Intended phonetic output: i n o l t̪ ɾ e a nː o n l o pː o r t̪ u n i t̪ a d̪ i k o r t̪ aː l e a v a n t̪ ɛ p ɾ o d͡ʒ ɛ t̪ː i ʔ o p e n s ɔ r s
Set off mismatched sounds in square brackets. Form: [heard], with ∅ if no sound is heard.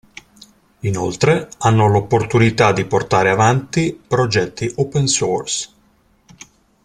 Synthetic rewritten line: i n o l t̪ ɾ e a nː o [∅] l o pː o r t̪ u n i t̪ a d̪ i [p] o r t̪ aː [ɾ] e a v a n t̪ [i] p ɾ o d͡ʒ ɛ t̪ː i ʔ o p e n s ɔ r s